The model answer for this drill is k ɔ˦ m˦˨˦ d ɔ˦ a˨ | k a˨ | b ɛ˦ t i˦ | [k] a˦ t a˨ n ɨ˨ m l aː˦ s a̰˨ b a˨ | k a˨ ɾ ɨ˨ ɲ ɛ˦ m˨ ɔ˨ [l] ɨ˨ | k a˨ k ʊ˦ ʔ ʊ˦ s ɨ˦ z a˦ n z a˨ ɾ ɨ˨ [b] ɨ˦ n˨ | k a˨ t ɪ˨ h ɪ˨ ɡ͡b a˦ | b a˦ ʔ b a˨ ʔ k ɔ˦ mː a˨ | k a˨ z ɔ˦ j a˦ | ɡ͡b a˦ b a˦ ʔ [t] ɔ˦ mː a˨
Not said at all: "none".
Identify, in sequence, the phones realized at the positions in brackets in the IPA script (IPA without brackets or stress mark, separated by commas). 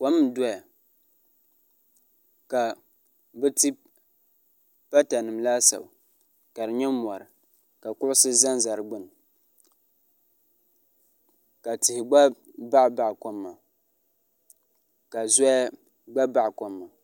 p, ɾ, ɡ͡b, k